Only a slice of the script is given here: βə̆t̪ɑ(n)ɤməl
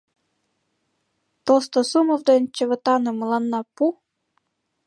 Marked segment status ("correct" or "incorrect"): correct